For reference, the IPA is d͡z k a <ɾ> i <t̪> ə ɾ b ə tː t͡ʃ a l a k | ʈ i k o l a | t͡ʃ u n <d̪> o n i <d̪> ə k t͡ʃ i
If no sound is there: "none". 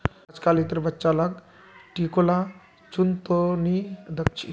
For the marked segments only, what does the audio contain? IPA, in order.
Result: l, t̪, t̪, d̪

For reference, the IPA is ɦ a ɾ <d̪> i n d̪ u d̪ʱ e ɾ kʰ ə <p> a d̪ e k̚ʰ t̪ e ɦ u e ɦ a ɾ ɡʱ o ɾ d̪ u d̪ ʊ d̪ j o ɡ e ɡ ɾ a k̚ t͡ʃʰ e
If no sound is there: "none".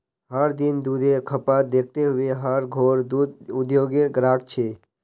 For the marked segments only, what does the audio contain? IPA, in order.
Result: d̪, p

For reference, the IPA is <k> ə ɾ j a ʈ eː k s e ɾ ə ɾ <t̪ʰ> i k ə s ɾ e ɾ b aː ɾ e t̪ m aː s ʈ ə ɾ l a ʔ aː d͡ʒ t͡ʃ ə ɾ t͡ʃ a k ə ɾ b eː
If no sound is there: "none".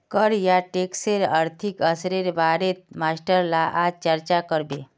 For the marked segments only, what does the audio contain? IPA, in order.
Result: k, t̪ʰ

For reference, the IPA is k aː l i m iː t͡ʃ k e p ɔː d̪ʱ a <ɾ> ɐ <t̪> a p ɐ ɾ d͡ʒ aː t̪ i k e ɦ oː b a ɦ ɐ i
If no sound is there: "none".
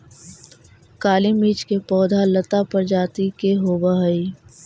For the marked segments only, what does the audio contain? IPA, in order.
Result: l, t̪

